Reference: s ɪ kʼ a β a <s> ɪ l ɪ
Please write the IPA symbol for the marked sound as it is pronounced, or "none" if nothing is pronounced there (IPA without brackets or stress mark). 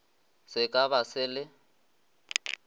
s